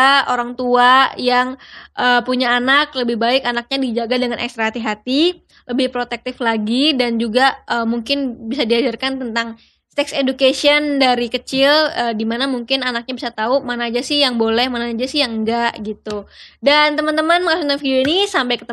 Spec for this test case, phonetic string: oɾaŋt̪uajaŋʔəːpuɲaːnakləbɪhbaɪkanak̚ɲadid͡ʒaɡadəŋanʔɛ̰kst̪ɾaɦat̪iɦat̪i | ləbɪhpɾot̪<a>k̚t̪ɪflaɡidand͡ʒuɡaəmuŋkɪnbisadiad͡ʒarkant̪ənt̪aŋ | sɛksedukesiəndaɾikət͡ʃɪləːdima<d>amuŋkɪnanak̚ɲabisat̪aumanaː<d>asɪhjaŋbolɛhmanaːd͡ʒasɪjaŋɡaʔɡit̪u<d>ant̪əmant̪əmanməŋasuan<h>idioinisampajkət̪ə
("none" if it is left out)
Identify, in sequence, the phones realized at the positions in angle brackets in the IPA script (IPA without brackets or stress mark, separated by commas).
ɛ, n, d͡ʒ, d, f